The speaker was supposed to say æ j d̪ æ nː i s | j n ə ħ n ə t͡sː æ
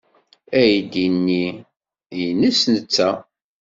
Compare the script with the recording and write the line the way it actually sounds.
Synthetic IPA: æ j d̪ i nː i | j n ə s n ə t͡sː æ